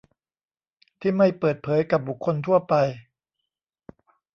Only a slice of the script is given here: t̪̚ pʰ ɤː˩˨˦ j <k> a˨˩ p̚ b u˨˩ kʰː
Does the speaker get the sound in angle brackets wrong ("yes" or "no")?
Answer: no